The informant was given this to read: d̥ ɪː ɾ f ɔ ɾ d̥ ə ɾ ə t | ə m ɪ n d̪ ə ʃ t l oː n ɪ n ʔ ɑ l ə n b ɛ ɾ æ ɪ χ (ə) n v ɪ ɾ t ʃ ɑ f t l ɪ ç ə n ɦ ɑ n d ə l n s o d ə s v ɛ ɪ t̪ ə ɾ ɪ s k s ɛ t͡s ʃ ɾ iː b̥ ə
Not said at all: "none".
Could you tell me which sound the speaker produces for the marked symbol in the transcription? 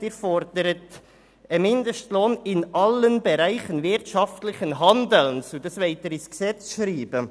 ə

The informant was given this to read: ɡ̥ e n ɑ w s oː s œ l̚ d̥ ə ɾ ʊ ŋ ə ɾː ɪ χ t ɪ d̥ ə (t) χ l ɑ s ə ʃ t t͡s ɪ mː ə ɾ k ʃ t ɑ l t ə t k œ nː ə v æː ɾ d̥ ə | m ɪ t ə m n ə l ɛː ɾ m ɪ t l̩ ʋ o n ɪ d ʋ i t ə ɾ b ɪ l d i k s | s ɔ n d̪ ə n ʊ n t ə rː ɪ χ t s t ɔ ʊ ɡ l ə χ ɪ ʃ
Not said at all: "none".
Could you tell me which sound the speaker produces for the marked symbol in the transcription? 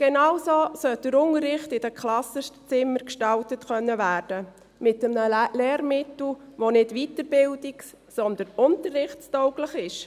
k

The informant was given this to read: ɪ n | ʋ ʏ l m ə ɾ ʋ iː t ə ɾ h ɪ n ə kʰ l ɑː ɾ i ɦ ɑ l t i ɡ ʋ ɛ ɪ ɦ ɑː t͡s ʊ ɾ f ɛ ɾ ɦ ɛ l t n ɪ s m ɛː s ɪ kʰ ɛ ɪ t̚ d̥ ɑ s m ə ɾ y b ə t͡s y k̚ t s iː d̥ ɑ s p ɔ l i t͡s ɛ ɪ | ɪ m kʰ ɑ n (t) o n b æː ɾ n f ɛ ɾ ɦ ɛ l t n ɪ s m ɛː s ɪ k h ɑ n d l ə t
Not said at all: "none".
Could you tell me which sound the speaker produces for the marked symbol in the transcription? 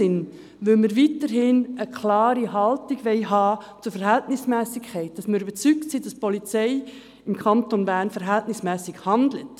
t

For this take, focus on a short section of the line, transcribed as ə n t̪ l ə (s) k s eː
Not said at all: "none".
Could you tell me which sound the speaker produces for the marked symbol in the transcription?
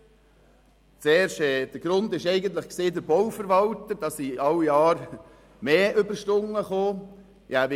χ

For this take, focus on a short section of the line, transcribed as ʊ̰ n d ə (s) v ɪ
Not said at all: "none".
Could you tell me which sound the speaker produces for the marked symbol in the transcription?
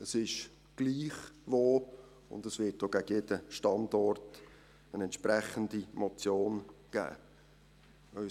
s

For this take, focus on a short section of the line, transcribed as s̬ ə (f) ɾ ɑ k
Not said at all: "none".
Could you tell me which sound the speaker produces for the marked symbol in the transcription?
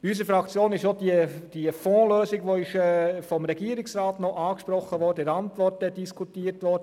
f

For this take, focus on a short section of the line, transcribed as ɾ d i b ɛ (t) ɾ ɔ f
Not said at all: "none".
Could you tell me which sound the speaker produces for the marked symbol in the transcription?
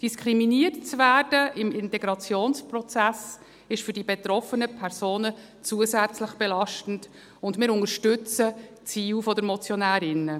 t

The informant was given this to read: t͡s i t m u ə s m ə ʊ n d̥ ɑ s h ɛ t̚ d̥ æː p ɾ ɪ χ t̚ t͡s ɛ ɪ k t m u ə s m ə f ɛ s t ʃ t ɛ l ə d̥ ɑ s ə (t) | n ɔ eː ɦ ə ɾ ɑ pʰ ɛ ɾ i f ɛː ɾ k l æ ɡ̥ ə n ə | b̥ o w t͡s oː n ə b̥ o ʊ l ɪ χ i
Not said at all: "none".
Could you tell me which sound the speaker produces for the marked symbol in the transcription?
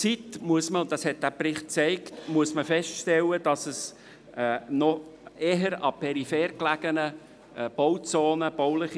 s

